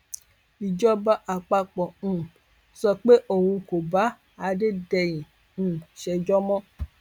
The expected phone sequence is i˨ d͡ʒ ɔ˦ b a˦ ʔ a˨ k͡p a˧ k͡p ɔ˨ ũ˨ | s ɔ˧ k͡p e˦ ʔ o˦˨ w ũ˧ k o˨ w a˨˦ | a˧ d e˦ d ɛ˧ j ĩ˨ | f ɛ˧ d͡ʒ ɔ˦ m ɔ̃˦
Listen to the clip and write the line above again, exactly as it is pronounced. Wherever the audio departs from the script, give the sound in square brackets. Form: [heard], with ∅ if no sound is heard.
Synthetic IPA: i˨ d͡ʒ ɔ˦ b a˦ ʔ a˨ k͡p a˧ k͡p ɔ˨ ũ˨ | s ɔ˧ k͡p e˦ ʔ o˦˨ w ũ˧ k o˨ [b] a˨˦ | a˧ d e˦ d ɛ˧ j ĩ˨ | [ʃ] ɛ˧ d͡ʒ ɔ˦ m ɔ̃˦